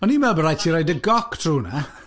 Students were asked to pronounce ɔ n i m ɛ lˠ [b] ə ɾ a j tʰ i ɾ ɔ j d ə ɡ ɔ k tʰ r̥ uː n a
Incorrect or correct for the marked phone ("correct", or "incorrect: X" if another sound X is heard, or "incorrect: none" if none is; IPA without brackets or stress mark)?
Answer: correct